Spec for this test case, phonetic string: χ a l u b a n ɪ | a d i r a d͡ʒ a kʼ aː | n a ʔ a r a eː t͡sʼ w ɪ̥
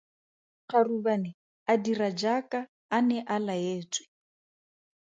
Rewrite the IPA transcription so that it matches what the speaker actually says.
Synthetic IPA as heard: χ a r u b a n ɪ | a d i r a d͡ʒ a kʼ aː | n ɛ ʔ a l a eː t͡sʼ w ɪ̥